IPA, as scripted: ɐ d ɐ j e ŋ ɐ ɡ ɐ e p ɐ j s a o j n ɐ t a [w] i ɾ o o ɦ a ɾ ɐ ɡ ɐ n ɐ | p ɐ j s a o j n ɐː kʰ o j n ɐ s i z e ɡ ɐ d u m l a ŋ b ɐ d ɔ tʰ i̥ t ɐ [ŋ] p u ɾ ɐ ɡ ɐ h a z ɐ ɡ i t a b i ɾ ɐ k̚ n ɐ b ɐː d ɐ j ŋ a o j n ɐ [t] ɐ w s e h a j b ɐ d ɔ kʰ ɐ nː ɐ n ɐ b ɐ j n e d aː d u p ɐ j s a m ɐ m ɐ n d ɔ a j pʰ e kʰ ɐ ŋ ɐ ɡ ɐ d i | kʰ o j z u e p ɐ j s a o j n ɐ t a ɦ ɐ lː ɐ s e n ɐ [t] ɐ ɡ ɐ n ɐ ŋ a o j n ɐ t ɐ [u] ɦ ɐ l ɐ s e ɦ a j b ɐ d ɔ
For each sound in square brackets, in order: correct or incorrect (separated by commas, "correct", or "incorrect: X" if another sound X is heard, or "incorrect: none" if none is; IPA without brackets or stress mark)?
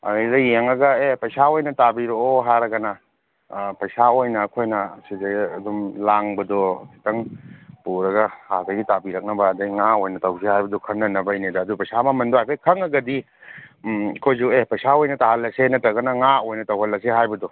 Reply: incorrect: b, correct, correct, correct, incorrect: w